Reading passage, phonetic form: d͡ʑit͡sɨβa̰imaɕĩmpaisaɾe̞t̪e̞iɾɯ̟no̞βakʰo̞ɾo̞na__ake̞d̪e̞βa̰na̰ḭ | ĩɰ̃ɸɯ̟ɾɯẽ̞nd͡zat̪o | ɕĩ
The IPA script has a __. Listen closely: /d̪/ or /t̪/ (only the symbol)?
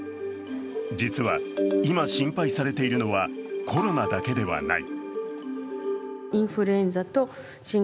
d̪